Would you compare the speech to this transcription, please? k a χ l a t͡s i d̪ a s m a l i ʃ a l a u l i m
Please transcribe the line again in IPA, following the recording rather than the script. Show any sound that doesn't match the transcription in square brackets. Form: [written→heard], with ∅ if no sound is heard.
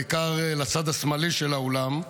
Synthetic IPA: k a [χ→ʁ] l a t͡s [i→a] d̪ a s m a l i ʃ [a→e] l a [u→o] l [i→a] m